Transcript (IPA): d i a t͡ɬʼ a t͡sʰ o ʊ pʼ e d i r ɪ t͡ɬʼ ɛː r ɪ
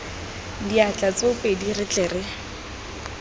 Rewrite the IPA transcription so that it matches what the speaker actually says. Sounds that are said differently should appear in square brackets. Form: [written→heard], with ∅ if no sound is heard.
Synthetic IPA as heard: d i a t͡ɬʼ a [t͡sʰ→t͡s] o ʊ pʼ e d i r ɪ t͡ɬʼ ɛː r ɪ